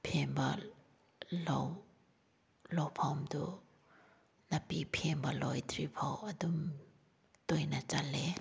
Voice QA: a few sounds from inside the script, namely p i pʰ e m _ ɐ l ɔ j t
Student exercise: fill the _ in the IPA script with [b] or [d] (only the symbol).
b